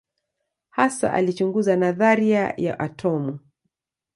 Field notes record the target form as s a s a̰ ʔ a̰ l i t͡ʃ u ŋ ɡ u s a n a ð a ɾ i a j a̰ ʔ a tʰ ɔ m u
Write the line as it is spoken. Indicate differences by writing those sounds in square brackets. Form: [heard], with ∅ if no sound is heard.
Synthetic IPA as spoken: [h] a s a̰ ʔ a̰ l i t͡ʃ u ŋ ɡ u [z] a n a ð a ɾ i a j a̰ ʔ a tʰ ɔ m u